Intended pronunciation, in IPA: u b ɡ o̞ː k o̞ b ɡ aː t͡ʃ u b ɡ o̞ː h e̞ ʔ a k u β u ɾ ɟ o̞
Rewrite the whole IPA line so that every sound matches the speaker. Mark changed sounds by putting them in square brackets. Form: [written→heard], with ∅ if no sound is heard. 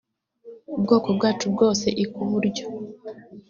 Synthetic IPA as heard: u b ɡ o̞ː k o̞ b ɡ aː t͡ʃ u b ɡ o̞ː [h→s] e̞ ʔ [a→i] k u β u ɾ ɟ o̞

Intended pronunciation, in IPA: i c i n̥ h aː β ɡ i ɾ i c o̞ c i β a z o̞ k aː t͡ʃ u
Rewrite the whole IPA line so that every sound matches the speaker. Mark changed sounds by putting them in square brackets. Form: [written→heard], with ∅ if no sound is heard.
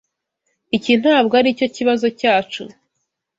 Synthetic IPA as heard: i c i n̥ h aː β ɡ [i→a] ɾ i c o̞ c i β a z o̞ [k→c] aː t͡ʃ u

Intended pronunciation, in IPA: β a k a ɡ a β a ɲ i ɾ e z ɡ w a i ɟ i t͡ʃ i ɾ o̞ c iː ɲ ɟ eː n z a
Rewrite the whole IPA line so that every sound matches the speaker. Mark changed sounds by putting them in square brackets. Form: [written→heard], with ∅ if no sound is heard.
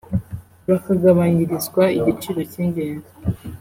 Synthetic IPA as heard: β a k a ɡ a β a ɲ i ɾ [e→i] z ɡ w a i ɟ i t͡ʃ i ɾ o̞ c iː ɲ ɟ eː n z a

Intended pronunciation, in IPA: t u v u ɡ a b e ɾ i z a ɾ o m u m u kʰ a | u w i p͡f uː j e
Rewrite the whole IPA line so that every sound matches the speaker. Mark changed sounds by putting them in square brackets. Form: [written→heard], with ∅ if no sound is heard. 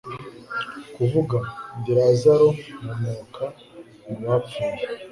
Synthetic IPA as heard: [t→k] u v u ɡ a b [e→i] ɾ [i→a] z a ɾ o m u m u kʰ a | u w [i→a] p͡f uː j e

